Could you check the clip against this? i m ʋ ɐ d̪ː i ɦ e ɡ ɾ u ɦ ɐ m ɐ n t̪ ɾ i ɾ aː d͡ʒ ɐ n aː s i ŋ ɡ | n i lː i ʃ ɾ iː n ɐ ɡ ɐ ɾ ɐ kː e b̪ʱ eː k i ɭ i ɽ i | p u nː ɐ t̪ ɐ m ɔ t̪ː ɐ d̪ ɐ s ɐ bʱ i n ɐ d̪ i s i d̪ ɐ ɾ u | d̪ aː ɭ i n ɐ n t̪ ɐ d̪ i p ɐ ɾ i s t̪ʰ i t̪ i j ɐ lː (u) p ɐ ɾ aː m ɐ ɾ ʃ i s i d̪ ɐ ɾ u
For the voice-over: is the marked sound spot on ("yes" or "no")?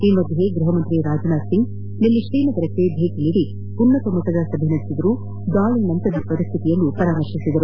yes